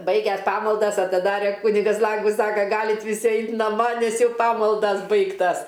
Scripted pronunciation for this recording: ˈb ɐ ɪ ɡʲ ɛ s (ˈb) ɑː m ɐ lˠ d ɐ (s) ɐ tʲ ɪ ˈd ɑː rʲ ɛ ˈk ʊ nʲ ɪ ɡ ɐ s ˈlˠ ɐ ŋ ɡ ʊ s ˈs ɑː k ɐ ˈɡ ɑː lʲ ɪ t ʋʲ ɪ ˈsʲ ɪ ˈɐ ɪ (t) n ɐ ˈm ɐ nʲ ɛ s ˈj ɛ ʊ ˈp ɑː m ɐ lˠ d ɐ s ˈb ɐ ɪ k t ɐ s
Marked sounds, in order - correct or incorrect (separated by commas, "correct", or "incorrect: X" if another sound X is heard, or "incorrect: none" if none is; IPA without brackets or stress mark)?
incorrect: p, correct, correct